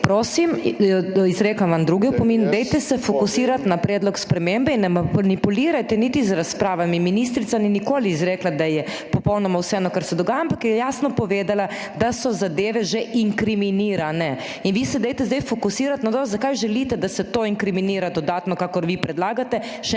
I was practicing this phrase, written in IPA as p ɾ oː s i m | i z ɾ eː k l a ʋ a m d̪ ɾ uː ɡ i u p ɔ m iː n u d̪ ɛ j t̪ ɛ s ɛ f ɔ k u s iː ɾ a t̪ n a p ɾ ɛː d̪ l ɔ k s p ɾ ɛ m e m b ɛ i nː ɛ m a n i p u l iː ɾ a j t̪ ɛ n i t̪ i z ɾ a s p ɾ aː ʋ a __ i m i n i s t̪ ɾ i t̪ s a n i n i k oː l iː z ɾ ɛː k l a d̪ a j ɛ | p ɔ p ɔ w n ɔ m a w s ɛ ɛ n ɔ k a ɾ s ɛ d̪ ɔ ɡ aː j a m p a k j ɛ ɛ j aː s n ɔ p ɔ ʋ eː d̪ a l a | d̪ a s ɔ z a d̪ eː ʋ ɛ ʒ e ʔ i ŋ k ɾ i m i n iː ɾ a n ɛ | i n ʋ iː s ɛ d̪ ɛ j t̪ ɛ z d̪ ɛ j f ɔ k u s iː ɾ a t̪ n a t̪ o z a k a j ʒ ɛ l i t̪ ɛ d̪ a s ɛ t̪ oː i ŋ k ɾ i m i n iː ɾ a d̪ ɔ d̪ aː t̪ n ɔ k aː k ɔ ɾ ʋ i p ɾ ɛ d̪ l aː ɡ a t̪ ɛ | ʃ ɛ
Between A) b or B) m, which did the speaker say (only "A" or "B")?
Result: B